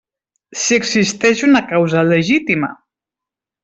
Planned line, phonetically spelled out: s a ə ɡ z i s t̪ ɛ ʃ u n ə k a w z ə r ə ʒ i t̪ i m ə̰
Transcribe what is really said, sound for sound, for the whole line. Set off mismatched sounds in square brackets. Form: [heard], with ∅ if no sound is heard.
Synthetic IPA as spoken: s [i] ə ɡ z i s t̪ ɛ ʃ u n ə k a w z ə [l] ə ʒ i t̪ i m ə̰